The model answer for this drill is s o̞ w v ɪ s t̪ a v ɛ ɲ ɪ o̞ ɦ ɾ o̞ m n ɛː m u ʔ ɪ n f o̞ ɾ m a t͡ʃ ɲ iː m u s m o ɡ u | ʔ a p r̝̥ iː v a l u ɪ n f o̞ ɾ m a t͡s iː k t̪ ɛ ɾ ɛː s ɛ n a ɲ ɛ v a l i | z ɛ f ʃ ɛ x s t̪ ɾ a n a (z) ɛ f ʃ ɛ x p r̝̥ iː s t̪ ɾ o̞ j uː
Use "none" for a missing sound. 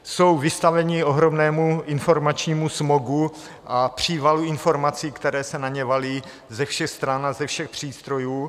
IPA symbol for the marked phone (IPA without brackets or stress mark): z